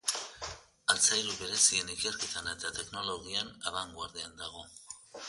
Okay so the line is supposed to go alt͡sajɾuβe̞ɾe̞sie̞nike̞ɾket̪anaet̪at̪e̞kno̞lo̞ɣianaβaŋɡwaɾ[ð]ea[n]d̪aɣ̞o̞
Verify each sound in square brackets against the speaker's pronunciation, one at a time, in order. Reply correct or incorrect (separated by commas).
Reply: correct, correct